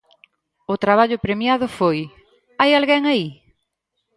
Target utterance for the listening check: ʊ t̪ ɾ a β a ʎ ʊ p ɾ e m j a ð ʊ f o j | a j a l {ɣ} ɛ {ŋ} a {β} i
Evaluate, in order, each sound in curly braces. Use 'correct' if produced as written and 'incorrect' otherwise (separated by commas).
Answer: correct, correct, incorrect